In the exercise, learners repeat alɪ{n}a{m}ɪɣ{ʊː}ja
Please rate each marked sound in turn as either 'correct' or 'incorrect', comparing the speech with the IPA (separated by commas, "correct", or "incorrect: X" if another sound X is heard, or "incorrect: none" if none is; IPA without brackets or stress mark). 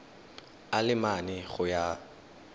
incorrect: m, incorrect: n, incorrect: ʊ